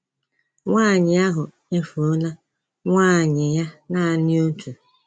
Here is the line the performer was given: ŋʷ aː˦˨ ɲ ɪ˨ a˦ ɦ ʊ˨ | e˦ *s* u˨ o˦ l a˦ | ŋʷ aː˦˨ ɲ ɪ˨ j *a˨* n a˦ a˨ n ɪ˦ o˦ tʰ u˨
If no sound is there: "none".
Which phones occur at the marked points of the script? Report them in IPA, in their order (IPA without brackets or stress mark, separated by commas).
f, a˦